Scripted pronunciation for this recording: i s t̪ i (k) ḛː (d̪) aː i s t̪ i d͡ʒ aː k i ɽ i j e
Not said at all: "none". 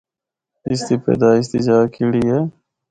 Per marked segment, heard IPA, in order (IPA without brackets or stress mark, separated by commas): p, d̪